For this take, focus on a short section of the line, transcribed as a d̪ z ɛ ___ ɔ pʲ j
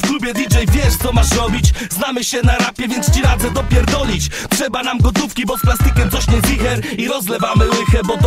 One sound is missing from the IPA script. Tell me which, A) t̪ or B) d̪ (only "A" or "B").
B